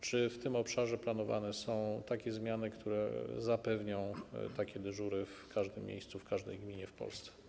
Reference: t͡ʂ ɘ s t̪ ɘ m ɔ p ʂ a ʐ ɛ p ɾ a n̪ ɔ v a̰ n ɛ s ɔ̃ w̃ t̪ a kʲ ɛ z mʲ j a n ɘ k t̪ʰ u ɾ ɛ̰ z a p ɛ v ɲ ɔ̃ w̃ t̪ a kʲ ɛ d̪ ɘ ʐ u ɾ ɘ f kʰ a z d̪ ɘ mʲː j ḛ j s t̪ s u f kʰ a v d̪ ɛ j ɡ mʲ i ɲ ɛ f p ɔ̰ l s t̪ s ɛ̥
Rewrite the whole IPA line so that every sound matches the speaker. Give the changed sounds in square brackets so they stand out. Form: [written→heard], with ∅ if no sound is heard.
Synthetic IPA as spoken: t͡ʂ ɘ [s→f] t̪ ɘ m ɔ p ʂ a ʐ ɛ p [ɾ→l] a n̪ ɔ v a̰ n ɛ s ɔ̃ w̃ t̪ a kʲ ɛ z mʲ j a n ɘ k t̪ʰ u ɾ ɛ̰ z a p ɛ v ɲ ɔ̃ w̃ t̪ a kʲ ɛ d̪ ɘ ʐ u ɾ ɘ f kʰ a [z→ʐ] d̪ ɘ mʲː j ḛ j s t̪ s u f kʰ a [v→ʐ] d̪ ɛ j ɡ mʲ i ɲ ɛ f p ɔ̰ l s t̪ s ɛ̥